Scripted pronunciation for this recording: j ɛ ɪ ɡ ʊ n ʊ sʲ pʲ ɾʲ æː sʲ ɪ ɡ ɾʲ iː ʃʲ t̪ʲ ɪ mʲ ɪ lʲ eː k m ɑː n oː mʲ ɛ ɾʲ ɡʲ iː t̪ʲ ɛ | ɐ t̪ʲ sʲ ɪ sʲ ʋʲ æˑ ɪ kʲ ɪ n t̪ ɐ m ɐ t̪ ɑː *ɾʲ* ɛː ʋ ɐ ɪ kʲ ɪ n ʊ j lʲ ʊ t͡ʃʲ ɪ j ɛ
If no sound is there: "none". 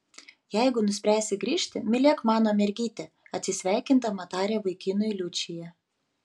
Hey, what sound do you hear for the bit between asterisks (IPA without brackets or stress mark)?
ɾʲ